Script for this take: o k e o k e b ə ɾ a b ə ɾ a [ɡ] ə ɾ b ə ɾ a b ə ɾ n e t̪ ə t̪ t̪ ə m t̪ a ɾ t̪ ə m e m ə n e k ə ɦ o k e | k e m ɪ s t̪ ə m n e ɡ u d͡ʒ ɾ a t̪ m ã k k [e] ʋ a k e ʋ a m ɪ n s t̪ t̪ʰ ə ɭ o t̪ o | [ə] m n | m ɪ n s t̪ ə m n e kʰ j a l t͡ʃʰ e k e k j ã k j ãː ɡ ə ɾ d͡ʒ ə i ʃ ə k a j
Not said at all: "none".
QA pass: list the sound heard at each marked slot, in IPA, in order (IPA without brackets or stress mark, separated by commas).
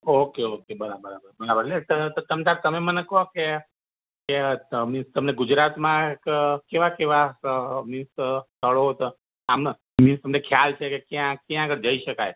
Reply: b, e, a